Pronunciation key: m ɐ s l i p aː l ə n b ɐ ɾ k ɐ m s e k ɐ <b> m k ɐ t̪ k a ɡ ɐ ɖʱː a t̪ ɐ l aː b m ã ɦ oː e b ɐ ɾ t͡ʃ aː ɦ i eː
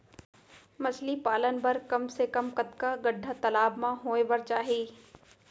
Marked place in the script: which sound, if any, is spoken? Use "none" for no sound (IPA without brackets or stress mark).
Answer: none